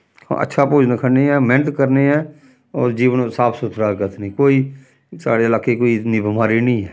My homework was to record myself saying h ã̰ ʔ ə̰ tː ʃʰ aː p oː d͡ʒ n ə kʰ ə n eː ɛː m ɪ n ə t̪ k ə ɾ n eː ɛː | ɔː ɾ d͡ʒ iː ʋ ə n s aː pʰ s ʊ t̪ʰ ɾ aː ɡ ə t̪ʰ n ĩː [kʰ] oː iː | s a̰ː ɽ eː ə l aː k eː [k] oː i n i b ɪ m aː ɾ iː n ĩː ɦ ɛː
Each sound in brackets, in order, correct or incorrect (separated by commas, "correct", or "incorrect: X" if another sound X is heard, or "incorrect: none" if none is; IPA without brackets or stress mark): incorrect: k, correct